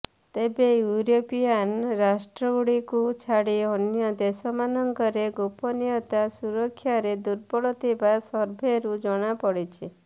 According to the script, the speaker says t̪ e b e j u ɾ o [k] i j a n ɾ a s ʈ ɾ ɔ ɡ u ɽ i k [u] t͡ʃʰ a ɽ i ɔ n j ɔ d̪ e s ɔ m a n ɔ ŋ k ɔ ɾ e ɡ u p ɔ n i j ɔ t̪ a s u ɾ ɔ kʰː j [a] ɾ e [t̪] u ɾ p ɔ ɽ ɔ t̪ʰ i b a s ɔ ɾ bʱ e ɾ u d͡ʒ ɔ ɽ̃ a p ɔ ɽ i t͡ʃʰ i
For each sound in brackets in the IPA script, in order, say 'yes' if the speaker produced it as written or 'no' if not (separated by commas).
no, yes, yes, no